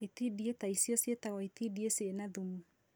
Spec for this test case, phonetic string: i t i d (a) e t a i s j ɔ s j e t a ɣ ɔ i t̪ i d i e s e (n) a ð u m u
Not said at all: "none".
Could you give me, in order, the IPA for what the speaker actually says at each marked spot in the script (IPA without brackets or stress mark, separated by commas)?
i, n